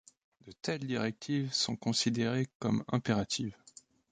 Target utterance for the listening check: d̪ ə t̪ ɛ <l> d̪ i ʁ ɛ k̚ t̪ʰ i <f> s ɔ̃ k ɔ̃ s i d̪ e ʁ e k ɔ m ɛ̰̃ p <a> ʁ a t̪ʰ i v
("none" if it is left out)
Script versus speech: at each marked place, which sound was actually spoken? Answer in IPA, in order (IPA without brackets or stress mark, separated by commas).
l, v, e